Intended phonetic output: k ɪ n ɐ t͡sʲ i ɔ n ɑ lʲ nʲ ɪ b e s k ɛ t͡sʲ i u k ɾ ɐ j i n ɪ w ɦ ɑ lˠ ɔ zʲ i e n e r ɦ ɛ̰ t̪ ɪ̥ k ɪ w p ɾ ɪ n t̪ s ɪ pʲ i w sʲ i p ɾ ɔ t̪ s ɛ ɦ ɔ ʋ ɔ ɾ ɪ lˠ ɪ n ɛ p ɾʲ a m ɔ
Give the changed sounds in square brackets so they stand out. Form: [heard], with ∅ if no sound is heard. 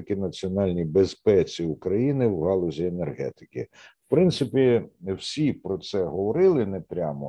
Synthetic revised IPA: k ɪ n ɐ t͡sʲ i ɔ n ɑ lʲ nʲ [i] b e s [p] ɛ t͡sʲ i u k ɾ ɐ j i n ɪ w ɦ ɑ lˠ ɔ zʲ i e n e r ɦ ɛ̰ t̪ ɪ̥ k ɪ w p ɾ ɪ n t̪ s ɪ pʲ i w sʲ i p ɾ ɔ t̪ s ɛ ɦ ɔ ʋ ɔ ɾ ɪ lˠ ɪ n ɛ p ɾʲ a m ɔ